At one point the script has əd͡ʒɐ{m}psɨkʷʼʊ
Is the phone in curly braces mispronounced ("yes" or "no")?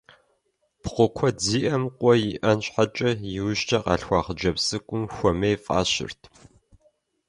yes